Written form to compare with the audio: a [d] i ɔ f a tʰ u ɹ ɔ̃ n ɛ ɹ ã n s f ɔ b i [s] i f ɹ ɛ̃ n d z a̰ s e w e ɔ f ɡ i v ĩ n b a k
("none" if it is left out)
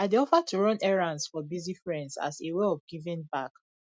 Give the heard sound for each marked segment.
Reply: d, z

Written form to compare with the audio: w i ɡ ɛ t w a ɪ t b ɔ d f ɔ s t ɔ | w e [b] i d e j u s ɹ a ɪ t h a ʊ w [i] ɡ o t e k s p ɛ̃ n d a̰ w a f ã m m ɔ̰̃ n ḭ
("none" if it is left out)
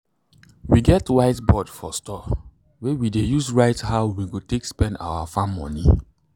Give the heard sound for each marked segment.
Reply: w, i

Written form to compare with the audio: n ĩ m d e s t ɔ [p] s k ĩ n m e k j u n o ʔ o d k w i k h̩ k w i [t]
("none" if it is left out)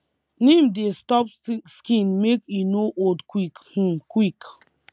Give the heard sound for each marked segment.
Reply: p, k

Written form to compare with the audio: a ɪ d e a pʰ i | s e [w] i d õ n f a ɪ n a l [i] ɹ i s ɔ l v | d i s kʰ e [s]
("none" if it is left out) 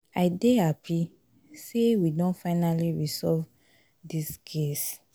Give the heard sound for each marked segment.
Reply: w, i, s

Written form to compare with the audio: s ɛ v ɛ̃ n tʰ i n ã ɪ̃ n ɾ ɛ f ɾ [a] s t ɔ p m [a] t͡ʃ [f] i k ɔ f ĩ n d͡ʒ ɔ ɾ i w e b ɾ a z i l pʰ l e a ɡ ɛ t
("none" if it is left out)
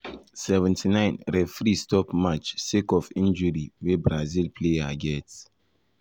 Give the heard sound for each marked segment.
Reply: i, a, s

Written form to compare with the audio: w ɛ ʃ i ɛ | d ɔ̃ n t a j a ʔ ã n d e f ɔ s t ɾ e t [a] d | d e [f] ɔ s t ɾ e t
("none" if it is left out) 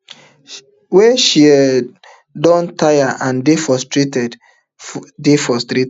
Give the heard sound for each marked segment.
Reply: ɛ, f

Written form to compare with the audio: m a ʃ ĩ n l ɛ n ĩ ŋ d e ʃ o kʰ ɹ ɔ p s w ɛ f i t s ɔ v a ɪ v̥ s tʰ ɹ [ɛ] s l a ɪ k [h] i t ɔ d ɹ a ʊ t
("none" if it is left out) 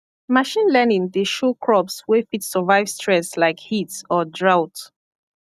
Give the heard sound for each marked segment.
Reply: ɛ, h

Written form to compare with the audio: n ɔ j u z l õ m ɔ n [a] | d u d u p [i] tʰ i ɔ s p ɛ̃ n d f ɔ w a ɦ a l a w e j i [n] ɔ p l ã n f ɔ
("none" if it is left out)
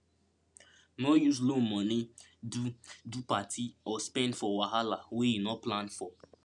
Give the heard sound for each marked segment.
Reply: i, a, n

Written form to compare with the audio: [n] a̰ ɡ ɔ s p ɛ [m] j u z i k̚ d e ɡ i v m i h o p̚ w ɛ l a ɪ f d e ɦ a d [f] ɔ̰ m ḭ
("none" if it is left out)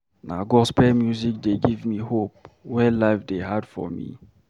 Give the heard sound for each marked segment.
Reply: n, m, f

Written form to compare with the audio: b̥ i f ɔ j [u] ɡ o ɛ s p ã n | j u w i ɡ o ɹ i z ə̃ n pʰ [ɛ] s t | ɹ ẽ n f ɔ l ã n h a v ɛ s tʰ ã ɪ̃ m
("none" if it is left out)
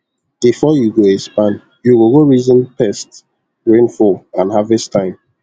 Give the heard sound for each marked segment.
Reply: u, ɛ

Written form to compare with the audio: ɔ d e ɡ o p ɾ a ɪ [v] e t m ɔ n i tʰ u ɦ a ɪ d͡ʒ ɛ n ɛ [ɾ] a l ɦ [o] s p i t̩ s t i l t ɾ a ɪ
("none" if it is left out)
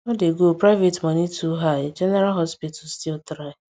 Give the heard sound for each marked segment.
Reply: v, ɾ, ɔ

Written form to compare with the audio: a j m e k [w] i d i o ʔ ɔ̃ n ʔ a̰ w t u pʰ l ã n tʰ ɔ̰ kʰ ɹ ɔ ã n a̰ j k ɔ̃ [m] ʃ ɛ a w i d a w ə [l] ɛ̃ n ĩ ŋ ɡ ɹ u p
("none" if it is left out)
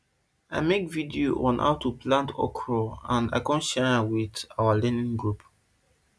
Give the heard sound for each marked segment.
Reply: v, n, l

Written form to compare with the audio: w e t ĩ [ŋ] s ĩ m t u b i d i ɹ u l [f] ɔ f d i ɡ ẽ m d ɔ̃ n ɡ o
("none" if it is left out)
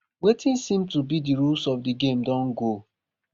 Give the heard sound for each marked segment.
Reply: n, s

